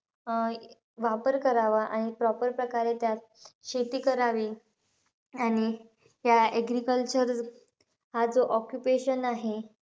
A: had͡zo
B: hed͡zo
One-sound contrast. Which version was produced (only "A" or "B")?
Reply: A